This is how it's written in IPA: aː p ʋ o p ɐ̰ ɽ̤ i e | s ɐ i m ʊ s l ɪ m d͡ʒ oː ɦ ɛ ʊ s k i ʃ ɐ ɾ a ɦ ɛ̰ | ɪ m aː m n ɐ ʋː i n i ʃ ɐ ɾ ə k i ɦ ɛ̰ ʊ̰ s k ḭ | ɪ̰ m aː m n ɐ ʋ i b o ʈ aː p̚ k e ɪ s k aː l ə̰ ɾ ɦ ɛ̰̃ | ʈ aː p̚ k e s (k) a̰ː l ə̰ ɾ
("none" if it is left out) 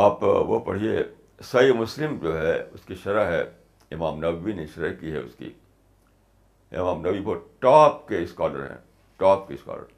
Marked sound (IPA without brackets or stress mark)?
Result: k